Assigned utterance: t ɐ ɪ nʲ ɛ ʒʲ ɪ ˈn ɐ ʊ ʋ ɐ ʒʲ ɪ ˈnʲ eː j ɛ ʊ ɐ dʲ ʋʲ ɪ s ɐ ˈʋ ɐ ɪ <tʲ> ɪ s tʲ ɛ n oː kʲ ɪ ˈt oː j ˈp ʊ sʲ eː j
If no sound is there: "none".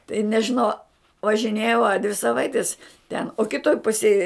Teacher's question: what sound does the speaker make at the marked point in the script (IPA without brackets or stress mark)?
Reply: tʲ